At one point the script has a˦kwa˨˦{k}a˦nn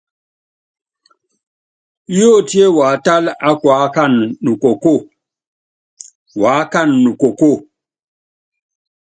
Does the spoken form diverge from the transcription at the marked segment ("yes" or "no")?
no